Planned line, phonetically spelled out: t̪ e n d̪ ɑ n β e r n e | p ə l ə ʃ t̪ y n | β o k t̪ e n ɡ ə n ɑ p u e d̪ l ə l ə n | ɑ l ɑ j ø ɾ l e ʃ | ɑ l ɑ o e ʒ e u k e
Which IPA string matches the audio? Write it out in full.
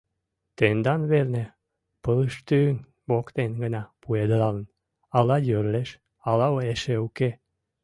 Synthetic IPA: t̪ e n d̪ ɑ n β e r n e | p ə l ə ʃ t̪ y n | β o k t̪ e n ɡ ə n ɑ p u e d̪ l ɑ l ə n | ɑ l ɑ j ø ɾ l e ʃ | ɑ l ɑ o e ʃ e u k e